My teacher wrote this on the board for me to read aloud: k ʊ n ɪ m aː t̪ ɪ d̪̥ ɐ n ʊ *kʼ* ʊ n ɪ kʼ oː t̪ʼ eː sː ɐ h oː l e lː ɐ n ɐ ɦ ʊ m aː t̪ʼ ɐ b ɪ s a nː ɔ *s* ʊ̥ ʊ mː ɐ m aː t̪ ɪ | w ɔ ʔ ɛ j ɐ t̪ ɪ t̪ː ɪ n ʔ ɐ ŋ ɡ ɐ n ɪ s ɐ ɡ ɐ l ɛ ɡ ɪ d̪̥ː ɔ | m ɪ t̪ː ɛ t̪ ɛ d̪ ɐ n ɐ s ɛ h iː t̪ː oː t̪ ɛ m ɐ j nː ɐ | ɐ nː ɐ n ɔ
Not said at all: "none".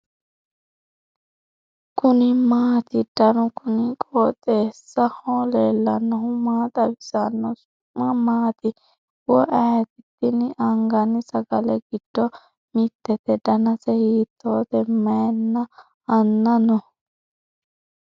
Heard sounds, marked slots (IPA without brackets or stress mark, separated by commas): k, s